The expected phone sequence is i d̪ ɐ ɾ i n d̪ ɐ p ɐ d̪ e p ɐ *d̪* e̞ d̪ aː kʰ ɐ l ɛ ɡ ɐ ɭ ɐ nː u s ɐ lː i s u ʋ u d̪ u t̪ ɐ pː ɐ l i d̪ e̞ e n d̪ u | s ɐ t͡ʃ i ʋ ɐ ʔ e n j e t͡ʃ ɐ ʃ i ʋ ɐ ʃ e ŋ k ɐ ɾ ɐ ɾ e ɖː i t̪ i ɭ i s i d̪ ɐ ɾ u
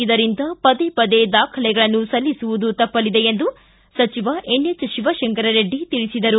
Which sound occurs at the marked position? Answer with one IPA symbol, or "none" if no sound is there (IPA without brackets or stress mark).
d̪